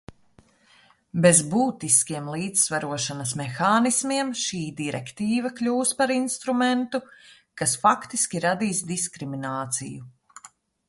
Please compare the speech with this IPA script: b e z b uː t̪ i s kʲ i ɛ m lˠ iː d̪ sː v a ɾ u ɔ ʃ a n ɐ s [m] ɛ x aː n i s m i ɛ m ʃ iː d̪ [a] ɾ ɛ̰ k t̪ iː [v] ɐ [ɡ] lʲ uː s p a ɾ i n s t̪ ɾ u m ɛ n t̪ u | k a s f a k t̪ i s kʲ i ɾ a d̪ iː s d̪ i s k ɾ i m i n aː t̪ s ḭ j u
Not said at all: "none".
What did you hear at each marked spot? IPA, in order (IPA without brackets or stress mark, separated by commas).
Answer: m, i, v, k